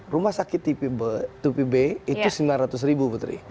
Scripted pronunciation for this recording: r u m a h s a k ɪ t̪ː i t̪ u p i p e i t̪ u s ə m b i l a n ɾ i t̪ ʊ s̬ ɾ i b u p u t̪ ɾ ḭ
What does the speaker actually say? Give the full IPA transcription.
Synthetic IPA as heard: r u m a h s a k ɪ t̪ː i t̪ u p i b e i t̪ u s ə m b i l a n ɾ a t̪ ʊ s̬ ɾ i b u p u t̪ ɾ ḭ